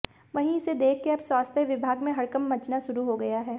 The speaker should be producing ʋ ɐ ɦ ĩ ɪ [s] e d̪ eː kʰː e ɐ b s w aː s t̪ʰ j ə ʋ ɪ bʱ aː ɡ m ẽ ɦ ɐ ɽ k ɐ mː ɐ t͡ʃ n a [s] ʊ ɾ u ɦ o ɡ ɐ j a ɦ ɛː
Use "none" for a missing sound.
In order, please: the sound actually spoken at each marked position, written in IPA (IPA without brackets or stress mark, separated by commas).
s, ʃ